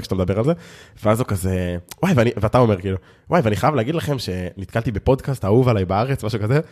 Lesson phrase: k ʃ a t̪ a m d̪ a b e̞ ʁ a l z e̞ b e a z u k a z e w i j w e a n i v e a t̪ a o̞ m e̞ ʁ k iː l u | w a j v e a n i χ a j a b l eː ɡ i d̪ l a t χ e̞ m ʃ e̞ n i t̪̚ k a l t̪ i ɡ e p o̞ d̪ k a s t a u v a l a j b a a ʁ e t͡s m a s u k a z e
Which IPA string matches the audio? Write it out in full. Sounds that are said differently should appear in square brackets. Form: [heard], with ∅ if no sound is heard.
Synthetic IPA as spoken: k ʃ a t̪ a m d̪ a b e̞ ʁ a l z e̞ [v] e a z u k a z e w [a] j [v] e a n i v e a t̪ a o̞ m e̞ ʁ k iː l u | w a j v e a n i χ a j a [v] l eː ɡ i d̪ l a [∅] χ e̞ m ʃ e̞ n i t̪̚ k a l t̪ i [b] e p o̞ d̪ k a s t a u v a l a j b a a ʁ e t͡s m a [ʃ] u k a z e